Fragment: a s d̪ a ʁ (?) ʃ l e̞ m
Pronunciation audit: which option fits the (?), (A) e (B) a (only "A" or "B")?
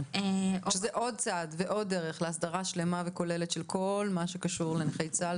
B